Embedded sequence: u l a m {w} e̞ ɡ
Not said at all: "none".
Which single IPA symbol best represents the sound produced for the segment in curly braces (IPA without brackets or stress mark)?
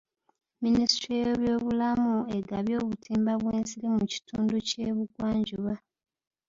u